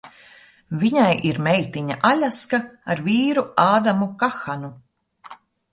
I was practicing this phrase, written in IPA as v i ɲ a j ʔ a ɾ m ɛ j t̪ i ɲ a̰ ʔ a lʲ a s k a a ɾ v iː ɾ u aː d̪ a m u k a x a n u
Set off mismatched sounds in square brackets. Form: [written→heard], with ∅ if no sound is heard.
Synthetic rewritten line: v i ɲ a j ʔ [a→i] ɾ m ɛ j t̪ i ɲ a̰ ʔ a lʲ a s k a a ɾ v iː ɾ u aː d̪ a m u k a x a n u